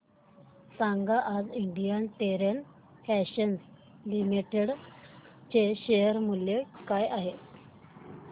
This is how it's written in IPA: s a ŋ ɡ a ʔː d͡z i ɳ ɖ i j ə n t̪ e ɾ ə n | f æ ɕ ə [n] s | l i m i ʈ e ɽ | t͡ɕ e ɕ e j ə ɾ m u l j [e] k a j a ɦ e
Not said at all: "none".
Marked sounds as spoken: n, e

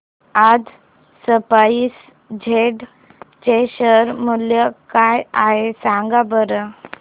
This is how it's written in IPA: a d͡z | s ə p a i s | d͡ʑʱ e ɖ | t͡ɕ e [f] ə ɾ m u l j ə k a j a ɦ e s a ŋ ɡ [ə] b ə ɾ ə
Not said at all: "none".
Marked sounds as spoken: ɕ, a

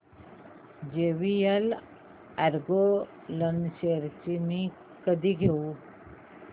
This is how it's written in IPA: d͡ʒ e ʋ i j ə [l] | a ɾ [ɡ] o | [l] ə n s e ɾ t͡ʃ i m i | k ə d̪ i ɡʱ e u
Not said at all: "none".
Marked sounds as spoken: l, ɡ, l

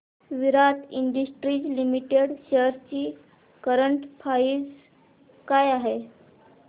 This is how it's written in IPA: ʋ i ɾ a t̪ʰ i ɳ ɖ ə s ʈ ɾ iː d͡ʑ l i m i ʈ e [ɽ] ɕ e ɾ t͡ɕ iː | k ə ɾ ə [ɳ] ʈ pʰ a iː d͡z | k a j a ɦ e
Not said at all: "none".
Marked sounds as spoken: ɽ, ɳ

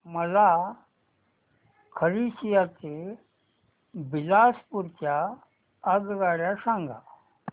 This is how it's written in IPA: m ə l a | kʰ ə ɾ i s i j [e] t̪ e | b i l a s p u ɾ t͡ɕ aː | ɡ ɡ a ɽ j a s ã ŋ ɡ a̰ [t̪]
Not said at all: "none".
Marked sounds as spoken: a, none

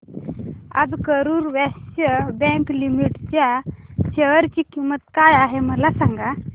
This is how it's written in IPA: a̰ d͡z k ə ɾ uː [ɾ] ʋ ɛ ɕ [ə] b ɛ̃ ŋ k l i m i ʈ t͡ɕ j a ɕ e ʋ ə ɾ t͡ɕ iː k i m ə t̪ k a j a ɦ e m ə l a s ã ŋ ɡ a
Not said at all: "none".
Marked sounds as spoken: ɾ, ə

